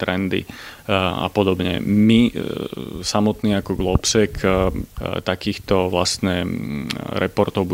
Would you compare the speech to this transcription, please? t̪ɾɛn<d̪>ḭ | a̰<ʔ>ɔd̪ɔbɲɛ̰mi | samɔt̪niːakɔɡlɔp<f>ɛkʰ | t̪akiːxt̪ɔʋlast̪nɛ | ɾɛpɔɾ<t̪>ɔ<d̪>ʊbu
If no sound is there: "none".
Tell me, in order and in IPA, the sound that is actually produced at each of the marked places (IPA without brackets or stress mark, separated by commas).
d̪, p, s, t̪, none